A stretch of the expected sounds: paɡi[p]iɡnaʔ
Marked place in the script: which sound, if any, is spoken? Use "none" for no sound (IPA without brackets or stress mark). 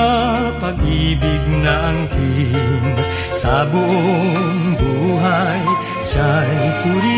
b